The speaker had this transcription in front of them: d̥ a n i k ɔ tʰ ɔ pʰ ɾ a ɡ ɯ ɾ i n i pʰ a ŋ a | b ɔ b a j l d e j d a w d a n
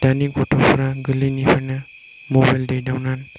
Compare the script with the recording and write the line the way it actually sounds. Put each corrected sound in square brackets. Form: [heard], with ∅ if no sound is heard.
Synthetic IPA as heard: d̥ a n i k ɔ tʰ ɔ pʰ ɾ a ɡ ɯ [l] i n i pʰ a [n] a | [m] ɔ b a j l d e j d a w [n] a n